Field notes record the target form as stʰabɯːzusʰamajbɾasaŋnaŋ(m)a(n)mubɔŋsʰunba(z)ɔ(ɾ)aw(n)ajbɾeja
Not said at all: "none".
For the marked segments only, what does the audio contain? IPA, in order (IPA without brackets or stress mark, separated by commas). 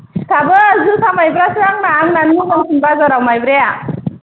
n, n, z, ɾ, m